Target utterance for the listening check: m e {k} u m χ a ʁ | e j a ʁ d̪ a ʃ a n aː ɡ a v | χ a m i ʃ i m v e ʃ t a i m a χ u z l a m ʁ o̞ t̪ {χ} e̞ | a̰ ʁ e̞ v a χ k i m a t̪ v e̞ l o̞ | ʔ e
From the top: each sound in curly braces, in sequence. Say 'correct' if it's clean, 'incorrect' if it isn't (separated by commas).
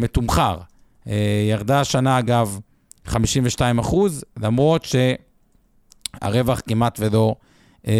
incorrect, incorrect